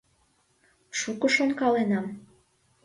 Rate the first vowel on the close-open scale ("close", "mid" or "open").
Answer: close